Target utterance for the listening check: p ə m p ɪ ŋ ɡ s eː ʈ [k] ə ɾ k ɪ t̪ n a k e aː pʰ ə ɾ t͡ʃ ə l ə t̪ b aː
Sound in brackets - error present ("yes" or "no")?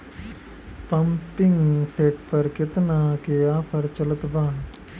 yes